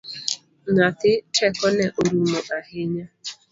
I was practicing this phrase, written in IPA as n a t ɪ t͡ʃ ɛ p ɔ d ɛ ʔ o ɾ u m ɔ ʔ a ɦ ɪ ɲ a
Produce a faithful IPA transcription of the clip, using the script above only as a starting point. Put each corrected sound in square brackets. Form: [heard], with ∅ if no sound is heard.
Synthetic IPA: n a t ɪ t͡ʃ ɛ [k] ɔ [n] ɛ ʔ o ɾ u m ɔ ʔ a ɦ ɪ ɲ a